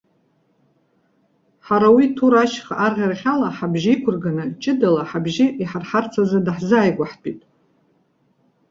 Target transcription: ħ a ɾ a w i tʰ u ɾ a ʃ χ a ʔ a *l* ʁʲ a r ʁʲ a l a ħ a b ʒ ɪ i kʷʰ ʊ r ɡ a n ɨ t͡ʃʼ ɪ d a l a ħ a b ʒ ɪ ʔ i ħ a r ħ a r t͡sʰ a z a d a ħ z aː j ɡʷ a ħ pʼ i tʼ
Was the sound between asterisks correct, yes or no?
no